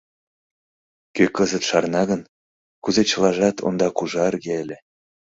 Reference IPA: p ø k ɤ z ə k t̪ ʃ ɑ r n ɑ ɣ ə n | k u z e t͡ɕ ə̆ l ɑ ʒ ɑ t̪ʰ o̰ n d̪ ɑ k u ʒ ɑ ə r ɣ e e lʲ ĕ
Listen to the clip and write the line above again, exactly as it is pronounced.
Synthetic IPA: k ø k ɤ z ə t̪ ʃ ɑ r n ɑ ɣ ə n | k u z e t͡ɕ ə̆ l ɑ ʒ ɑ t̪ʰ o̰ n d̪ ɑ k u ʒ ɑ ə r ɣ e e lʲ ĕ